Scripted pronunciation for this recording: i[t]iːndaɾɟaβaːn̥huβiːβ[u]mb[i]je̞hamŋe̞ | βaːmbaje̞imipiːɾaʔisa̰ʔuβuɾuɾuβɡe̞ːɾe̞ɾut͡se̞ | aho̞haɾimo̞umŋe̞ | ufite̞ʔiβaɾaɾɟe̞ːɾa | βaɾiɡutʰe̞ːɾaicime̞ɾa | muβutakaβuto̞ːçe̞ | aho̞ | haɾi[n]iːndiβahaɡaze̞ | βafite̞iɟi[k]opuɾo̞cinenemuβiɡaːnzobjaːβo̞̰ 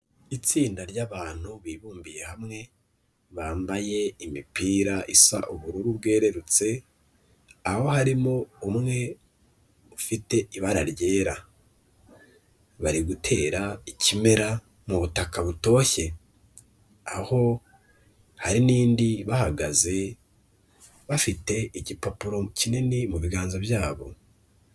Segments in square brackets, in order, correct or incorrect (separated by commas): incorrect, incorrect, correct, correct, incorrect